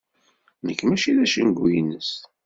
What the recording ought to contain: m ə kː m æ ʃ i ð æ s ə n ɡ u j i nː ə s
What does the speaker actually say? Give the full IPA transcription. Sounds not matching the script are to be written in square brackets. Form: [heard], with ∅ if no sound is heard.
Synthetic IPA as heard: [n] ə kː m æ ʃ i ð æ [ʃ] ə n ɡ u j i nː ə s